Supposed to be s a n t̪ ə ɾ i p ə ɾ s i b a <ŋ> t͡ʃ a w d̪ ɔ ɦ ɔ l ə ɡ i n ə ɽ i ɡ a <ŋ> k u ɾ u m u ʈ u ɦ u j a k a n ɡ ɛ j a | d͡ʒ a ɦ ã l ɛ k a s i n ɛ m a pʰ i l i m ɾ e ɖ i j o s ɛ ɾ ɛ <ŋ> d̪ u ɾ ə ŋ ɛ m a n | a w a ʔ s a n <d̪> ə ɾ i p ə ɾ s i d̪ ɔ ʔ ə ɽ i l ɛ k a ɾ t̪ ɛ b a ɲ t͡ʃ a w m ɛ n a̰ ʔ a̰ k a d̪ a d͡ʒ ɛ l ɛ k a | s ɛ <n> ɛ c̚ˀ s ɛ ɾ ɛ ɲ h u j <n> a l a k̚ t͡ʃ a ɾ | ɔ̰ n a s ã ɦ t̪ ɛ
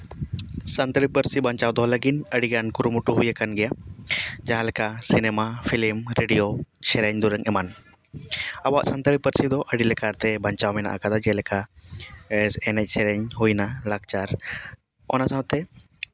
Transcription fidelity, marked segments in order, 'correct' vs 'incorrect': incorrect: ɲ, incorrect: n, incorrect: ɲ, incorrect: t̪, correct, correct

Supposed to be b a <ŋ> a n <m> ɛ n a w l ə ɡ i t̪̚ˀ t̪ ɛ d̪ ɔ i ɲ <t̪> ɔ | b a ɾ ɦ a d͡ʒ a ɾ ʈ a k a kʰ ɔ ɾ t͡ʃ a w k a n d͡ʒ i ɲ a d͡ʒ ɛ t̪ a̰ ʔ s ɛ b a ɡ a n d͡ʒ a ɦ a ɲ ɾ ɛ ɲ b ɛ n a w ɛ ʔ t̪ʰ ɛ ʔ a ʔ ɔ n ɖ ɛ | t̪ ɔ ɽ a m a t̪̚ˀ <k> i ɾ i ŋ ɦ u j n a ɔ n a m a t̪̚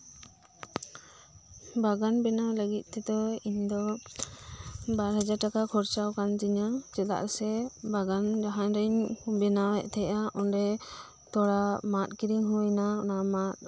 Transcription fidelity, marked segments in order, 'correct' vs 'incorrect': incorrect: ɡ, incorrect: b, incorrect: d̪, correct

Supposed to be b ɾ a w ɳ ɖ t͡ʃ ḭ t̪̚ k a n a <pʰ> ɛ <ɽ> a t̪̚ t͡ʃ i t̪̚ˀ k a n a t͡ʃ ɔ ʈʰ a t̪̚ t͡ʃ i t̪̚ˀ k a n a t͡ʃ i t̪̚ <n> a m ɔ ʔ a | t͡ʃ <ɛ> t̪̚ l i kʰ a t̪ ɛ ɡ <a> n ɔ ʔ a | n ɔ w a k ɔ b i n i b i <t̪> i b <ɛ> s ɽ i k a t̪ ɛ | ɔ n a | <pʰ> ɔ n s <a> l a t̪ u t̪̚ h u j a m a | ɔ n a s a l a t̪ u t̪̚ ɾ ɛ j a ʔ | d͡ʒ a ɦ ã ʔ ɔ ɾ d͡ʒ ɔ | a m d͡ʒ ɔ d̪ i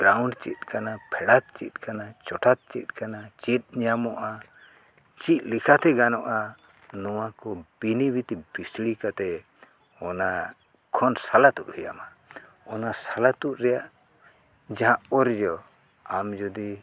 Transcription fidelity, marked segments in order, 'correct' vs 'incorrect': correct, correct, incorrect: ɲ, incorrect: i, correct, correct, incorrect: i, incorrect: kʰ, correct

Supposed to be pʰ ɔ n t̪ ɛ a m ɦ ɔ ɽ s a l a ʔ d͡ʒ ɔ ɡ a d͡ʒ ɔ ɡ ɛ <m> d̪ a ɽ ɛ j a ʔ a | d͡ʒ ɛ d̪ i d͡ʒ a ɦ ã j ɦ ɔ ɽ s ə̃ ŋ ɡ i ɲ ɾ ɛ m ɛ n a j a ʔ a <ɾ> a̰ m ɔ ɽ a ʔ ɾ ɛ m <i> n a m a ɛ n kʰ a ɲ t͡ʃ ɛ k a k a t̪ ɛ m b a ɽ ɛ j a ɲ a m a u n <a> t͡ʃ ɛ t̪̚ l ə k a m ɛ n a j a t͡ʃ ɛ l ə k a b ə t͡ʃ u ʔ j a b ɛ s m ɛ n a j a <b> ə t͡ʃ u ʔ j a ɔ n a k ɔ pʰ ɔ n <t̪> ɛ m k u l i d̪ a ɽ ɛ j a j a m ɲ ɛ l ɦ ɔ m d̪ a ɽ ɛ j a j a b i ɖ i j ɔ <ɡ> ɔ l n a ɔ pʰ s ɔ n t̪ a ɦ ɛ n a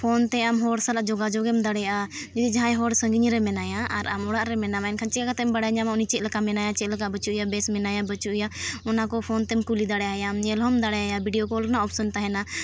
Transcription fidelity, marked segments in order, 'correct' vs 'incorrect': correct, correct, incorrect: ɛ, incorrect: i, correct, correct, incorrect: k

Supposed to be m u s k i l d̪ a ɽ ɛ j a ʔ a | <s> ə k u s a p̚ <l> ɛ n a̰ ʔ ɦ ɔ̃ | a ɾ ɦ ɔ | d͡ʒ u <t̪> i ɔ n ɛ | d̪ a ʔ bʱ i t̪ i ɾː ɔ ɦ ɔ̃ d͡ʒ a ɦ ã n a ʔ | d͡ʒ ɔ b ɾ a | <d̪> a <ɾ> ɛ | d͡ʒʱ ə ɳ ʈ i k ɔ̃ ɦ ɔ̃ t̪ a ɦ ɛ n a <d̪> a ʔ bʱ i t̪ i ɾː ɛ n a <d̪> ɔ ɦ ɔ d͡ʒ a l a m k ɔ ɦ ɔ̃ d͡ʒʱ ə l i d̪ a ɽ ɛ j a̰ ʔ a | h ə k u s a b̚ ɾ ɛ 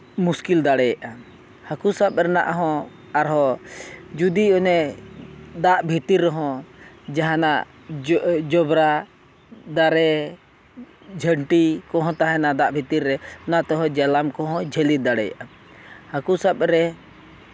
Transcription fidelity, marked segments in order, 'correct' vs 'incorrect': incorrect: h, incorrect: ɾ, incorrect: d̪, correct, correct, correct, incorrect: t̪

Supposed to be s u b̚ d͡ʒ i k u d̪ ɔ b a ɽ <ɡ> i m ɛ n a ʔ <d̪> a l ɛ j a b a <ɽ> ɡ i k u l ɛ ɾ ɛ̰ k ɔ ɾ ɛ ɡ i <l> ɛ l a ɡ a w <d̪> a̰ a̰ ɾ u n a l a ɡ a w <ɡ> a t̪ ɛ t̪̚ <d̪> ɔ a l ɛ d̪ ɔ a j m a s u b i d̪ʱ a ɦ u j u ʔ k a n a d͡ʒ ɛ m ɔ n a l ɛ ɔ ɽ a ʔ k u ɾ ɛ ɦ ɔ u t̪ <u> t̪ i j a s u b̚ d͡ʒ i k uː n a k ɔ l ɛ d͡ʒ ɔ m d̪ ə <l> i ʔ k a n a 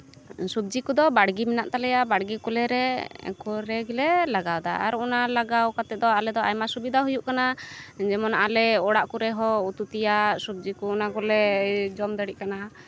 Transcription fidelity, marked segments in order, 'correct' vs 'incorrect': correct, incorrect: t̪, correct, correct, correct, incorrect: k, correct, correct, incorrect: ɽ

